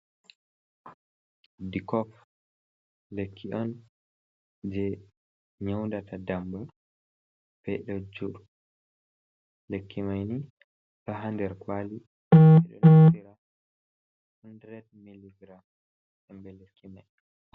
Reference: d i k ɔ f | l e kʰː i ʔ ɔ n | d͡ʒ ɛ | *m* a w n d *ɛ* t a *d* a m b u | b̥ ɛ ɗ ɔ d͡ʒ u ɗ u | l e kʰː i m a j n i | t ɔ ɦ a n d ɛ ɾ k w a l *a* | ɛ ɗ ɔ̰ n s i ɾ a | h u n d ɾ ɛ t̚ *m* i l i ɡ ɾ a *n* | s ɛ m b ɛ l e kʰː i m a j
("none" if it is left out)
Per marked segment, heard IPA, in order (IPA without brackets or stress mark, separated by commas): ɲ, a, d, i, m, m